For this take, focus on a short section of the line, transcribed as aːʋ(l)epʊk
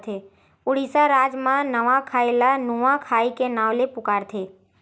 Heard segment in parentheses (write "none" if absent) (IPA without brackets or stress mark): l